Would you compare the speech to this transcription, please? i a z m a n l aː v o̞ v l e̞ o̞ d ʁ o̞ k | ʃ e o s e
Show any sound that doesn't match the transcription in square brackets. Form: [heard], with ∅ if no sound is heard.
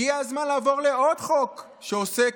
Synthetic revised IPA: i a z m a n l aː v o̞ [ʁ] l e̞ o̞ d [χ] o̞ k | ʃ e o s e